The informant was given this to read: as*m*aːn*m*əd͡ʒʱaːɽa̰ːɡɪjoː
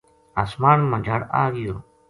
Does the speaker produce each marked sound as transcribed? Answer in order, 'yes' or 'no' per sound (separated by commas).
yes, yes